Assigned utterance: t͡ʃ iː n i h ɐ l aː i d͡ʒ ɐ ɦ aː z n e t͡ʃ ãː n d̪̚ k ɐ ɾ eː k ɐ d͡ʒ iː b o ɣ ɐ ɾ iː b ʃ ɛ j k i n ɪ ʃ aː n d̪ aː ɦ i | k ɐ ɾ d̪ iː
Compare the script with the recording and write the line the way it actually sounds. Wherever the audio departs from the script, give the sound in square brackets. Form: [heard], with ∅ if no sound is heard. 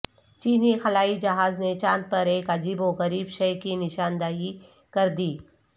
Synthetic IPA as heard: t͡ʃ iː n i [x] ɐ l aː i d͡ʒ ɐ ɦ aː z n e t͡ʃ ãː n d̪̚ [p] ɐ ɾ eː k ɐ d͡ʒ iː b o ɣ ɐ ɾ iː b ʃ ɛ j k i n ɪ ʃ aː n d̪ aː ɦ i | k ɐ ɾ d̪ iː